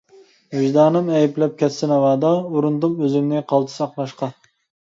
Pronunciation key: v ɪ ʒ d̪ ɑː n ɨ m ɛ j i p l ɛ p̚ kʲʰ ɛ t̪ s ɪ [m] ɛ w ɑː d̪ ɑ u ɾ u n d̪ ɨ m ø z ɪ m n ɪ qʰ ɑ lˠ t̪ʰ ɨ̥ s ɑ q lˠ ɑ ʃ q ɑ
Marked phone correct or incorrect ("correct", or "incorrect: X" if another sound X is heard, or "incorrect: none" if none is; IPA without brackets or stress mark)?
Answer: incorrect: n